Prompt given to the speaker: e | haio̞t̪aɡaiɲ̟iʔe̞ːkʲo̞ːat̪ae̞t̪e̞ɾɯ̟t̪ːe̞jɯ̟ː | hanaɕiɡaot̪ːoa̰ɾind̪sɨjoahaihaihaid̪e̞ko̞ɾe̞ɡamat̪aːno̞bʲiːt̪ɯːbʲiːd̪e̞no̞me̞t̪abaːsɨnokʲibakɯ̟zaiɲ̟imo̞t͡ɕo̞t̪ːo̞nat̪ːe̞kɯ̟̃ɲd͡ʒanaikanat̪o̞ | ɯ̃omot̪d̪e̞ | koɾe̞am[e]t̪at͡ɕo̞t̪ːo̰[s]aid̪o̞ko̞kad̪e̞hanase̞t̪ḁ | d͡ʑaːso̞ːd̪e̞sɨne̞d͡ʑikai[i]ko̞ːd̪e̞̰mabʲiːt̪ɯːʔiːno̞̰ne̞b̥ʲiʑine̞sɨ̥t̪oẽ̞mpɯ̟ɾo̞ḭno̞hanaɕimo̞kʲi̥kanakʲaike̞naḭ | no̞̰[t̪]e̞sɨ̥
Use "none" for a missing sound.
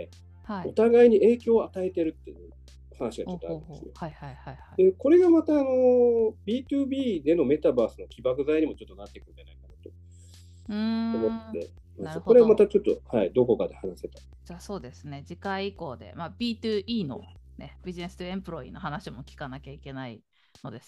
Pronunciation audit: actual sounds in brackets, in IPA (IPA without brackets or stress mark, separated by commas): a, h, i, d̪